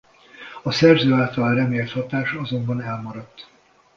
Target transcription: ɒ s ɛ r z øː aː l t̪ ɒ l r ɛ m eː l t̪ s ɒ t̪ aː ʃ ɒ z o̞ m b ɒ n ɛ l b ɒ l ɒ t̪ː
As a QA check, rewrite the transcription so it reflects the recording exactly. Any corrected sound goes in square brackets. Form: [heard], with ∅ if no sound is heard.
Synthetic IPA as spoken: ɒ s ɛ r z øː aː l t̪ ɒ l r ɛ m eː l t̪ [h] ɒ t̪ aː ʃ ɒ z o̞ m b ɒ n ɛ l [m] ɒ [ɾ] ɒ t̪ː